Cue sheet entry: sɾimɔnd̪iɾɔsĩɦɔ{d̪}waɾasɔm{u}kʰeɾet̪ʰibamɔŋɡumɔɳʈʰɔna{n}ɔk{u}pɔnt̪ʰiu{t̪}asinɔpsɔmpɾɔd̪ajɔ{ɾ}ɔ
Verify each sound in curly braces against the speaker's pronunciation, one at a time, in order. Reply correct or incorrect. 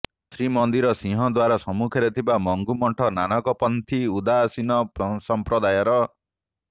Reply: correct, correct, correct, incorrect: ɔ, incorrect: d̪, correct

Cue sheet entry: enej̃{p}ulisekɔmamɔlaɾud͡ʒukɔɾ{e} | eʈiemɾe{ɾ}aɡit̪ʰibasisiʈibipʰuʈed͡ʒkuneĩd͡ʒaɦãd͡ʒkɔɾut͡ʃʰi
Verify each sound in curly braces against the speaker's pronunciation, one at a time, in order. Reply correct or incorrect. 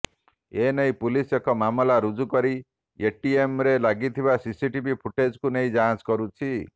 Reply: correct, incorrect: i, incorrect: l

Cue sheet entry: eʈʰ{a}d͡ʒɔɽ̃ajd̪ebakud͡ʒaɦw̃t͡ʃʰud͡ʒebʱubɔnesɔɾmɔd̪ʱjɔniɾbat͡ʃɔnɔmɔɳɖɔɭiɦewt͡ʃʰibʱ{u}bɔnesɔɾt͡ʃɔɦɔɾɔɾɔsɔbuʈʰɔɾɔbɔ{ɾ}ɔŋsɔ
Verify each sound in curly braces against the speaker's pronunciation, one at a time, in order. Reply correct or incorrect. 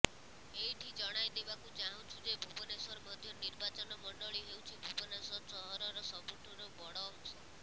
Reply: incorrect: i, correct, incorrect: ɽ

